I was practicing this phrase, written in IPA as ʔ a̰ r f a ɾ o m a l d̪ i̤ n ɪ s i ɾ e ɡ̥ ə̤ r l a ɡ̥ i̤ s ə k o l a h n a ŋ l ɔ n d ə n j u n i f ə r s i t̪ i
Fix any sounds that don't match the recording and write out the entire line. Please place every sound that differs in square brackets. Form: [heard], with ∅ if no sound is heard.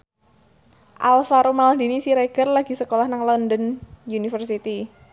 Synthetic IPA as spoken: ʔ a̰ [l] f a ɾ o m a l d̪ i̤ n [i] s i ɾ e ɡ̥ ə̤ r l a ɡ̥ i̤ s ə k o l a h n a ŋ l ɔ n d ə n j u n i f ə r s i t̪ i